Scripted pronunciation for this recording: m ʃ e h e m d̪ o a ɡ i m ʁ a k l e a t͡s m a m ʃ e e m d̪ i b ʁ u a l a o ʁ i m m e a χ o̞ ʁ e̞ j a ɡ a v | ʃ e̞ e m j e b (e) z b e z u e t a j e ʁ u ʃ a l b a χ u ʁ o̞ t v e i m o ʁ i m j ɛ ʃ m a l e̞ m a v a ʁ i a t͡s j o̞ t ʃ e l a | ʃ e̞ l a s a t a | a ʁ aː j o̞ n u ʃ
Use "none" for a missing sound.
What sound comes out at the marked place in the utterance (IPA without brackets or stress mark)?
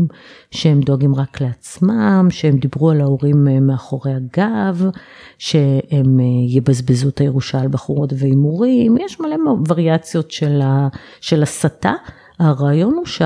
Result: a